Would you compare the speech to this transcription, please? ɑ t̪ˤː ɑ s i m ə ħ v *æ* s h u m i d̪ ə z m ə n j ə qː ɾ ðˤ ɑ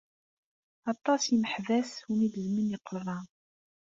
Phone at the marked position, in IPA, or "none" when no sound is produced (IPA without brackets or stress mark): æ